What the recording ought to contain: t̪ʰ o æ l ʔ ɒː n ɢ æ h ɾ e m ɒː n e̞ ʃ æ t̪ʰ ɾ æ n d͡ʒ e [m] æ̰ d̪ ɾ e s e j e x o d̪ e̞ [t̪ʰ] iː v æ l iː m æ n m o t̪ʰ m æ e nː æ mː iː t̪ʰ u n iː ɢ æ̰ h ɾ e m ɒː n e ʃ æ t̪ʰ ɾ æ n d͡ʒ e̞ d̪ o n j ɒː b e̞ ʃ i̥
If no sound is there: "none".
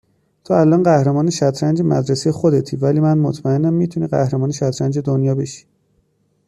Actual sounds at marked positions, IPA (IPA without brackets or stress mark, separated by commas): m, t̪ʰ